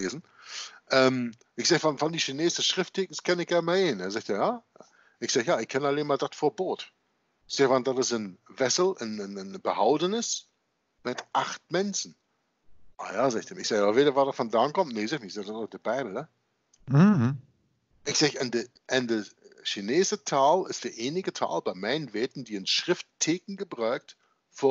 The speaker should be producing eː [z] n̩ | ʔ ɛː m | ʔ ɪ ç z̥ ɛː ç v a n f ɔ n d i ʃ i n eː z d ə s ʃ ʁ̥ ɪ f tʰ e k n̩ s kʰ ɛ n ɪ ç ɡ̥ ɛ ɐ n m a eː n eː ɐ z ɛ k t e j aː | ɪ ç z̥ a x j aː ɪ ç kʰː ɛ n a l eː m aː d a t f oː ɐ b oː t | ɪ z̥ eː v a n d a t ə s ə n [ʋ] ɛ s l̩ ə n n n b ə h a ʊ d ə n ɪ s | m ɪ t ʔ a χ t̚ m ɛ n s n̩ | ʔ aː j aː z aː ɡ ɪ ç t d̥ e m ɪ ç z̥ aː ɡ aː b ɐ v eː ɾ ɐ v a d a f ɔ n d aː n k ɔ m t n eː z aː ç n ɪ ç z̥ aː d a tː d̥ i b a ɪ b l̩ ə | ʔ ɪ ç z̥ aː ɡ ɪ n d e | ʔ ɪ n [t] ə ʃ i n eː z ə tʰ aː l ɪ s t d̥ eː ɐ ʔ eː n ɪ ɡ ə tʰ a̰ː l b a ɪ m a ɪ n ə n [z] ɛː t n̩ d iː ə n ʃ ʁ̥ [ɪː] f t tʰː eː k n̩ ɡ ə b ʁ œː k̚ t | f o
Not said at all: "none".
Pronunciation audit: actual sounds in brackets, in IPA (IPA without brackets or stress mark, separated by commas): z, v, d, v, ɪ